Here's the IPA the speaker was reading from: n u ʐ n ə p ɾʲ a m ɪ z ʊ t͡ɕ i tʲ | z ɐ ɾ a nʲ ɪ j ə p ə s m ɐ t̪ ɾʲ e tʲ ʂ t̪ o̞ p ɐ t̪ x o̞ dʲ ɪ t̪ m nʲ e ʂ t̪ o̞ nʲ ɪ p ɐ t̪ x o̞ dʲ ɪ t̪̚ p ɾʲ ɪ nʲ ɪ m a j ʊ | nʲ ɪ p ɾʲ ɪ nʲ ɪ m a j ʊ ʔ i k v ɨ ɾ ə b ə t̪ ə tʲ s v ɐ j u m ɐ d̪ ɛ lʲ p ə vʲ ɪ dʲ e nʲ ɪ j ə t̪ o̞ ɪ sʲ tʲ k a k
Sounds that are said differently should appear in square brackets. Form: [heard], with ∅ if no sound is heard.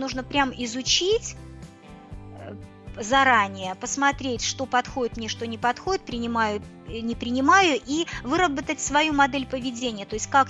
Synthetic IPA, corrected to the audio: n u ʐ n ə p ɾʲ a m ɪ z ʊ t͡ɕ i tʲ | z ɐ ɾ a nʲ ɪ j ə p ə s m ɐ t̪ ɾʲ e tʲ ʂ t̪ o̞ p ɐ t̪ x o̞ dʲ ɪ t̪ m nʲ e ʂ t̪ o̞ nʲ ɪ p ɐ t̪ x o̞ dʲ ɪ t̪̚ p ɾʲ ɪ nʲ ɪ m a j ʊ | nʲ ɪ p ɾʲ ɪ nʲ ɪ m a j ʊ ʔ i [∅] v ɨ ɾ ə b ə t̪ ə tʲ s v ɐ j u m ɐ d̪ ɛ lʲ p ə vʲ ɪ dʲ e nʲ ɪ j ə t̪ o̞ ɪ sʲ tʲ k a k